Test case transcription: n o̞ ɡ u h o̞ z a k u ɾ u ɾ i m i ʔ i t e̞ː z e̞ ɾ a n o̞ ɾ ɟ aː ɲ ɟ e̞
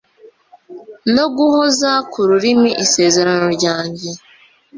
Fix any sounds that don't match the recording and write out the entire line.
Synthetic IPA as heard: n o̞ ɡ u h o̞ z a k u ɾ u ɾ i m i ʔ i s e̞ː z e̞ ɾ a n o̞ ɾ ɟ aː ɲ ɟ e̞